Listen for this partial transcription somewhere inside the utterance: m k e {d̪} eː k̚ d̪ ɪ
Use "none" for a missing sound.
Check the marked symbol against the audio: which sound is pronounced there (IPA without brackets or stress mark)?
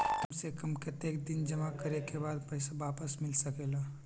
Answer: t̪